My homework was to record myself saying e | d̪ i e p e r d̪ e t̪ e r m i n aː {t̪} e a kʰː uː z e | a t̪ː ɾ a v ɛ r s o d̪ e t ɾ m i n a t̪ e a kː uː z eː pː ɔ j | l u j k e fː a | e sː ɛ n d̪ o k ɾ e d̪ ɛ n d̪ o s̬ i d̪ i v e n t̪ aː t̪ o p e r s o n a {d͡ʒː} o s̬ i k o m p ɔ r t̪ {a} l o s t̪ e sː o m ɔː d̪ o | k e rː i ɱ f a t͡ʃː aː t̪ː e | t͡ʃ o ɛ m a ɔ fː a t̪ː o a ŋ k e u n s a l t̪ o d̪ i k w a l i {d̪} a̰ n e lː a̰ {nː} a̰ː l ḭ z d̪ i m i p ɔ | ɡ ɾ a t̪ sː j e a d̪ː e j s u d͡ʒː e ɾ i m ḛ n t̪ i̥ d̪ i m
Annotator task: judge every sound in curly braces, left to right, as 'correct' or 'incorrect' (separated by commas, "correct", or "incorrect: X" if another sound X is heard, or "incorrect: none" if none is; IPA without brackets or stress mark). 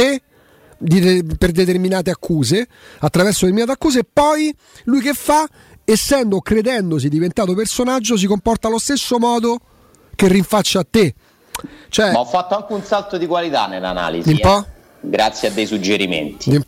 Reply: correct, correct, correct, incorrect: t̪, incorrect: n